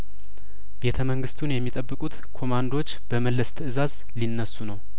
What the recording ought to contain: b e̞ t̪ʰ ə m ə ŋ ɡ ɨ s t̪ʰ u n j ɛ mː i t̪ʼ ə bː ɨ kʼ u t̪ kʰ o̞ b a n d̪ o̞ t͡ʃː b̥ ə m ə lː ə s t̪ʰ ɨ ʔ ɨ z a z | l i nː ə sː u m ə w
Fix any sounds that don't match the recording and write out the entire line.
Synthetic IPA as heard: b e̞ t̪ʰ ə m ə ŋ ɡ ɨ s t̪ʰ u n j ɛ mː i t̪ʼ ə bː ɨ kʼ u t̪ kʰ o̞ m a n d̪ o̞ t͡ʃː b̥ ə m ə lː ə s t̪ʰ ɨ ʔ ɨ z a z | l i nː ə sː u n ə w